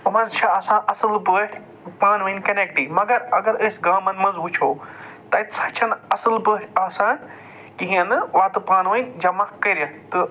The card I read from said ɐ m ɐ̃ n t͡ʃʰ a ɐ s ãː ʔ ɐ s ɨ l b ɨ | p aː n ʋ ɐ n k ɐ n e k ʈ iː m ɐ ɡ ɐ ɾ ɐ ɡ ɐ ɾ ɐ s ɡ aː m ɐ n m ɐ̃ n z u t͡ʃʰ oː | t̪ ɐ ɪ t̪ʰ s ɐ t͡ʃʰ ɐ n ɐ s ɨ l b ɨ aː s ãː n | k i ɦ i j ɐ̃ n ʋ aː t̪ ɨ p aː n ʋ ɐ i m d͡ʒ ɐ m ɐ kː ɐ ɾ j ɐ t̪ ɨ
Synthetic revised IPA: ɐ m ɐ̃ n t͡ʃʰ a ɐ s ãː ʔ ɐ s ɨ l b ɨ | p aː n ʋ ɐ n k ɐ n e k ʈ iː m ɐ ɡ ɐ ɾ ɐ ɡ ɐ ɾ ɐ s ɡ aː m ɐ n m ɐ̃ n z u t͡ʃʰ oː | t̪ ɐ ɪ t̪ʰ s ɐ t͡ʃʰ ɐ n ɐ s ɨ l b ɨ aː s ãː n | k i ɦ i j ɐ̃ n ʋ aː t̪ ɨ p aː n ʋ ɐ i n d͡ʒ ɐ m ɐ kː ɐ ɾ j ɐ t̪ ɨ